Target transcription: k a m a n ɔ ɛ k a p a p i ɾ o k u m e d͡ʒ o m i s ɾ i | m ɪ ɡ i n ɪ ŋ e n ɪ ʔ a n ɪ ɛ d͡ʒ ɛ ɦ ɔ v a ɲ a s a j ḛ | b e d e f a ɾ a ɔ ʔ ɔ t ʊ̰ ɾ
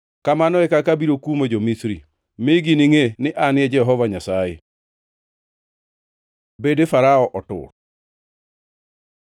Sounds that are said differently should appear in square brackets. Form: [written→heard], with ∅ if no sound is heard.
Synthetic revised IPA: k a m a n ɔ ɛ k a [p→k] a [p→b] i ɾ o k u m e d͡ʒ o m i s ɾ i | m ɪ ɡ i n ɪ ŋ e n ɪ ʔ a n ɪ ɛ d͡ʒ ɛ ɦ ɔ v a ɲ a s a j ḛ | b e d e f a ɾ a ɔ ʔ ɔ t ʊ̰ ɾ